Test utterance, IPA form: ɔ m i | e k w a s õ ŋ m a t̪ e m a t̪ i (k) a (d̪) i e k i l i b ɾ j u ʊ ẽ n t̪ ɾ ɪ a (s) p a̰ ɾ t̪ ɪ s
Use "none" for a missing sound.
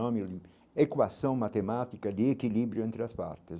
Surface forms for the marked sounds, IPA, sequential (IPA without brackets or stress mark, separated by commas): k, d̪, s